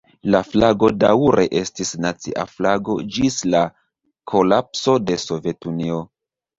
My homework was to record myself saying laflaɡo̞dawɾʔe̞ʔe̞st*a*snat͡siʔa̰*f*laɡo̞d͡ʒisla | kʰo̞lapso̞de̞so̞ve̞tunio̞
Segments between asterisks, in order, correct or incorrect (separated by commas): incorrect, correct